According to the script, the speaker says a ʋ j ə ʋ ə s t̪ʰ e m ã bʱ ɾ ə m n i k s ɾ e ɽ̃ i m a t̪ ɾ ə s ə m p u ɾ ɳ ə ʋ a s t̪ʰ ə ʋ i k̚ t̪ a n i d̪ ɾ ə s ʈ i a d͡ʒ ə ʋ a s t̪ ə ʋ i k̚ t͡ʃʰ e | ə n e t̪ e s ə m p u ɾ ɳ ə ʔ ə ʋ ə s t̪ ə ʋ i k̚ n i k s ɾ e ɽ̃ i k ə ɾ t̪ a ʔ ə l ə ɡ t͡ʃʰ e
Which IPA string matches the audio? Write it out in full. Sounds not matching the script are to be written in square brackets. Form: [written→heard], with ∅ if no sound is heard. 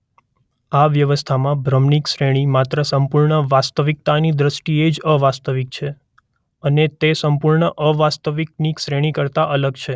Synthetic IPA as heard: a ʋ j ə ʋ ə s t̪ʰ [e→a] m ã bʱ ɾ ə m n i k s ɾ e ɽ̃ i m a t̪ ɾ ə s ə m p u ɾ ɳ ə ʋ a s [t̪ʰ→t̪] ə ʋ i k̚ t̪ a n i d̪ ɾ ə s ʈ i [a→e] d͡ʒ ə ʋ a s t̪ ə ʋ i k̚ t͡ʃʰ e | ə n e t̪ e s ə m p u ɾ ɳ ə ʔ ə ʋ [ə→a] s t̪ ə ʋ i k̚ n i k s ɾ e ɽ̃ i k ə ɾ t̪ a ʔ ə l ə ɡ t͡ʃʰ e